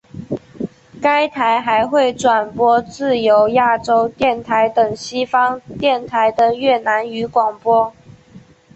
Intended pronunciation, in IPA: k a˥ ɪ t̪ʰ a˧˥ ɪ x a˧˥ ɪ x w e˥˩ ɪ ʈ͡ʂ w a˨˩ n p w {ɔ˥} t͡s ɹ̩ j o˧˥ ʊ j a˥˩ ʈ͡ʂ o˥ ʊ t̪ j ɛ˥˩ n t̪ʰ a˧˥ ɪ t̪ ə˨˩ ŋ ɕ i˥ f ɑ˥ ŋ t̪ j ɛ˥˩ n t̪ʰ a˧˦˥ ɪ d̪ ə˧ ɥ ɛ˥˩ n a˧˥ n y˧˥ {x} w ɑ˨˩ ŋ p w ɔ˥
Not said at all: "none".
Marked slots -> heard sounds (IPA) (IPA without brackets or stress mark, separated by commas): ɔ˥, k